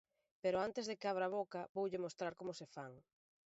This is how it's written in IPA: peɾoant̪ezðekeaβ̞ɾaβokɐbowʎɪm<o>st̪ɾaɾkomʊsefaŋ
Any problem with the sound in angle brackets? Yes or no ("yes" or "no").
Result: no